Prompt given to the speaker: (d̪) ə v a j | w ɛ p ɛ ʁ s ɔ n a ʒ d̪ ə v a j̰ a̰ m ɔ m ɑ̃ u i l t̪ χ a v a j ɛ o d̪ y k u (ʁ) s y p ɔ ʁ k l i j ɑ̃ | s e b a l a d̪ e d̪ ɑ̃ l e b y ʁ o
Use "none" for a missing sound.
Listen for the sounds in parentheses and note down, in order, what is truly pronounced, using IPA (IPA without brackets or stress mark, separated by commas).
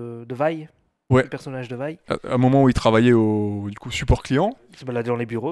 d̪, none